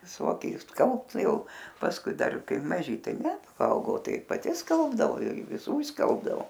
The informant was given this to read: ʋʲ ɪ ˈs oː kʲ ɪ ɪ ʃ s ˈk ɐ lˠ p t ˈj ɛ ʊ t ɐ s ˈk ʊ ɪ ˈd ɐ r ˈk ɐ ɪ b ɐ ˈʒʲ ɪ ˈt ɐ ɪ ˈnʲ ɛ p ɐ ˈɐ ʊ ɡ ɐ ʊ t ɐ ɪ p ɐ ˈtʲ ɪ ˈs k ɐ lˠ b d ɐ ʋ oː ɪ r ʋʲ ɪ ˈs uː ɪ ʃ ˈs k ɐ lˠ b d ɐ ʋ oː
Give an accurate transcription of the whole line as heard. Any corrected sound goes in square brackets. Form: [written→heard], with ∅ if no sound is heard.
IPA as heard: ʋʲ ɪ ˈs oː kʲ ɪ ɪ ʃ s ˈk ɐ lˠ p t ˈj ɛ ʊ [t→p] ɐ s ˈk ʊ ɪ ˈd ɐ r ˈk ɐ ɪ [b→m] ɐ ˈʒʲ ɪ ˈt ɐ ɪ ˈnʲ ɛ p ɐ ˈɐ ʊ ɡ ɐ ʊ t ɐ ɪ p ɐ ˈtʲ ɪ ˈs k ɐ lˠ b d ɐ ʋ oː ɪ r ʋʲ ɪ ˈs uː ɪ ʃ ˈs k ɐ lˠ b d ɐ ʋ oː